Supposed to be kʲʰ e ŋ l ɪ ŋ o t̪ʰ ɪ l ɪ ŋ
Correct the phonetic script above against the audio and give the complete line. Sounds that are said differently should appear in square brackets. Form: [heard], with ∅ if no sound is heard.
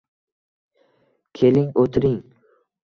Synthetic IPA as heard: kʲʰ e [∅] l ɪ ŋ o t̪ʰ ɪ [ɾ] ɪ ŋ